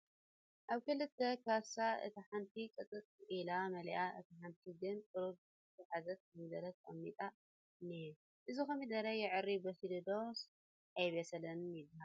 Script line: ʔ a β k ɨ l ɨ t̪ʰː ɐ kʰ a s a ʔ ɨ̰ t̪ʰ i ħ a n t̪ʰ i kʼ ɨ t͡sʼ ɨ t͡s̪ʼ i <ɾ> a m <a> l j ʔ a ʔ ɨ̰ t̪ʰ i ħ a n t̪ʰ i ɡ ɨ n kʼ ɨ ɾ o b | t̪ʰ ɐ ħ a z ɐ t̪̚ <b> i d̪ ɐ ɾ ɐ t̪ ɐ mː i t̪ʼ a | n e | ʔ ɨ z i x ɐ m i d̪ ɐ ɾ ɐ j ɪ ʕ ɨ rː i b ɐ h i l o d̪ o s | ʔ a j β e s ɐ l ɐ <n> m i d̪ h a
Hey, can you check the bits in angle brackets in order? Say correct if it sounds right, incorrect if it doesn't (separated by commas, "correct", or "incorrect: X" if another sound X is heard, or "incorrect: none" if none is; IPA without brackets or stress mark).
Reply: incorrect: l, incorrect: ɐ, incorrect: m, correct